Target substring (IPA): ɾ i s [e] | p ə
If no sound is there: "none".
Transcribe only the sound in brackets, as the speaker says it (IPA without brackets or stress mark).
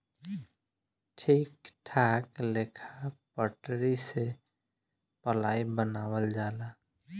e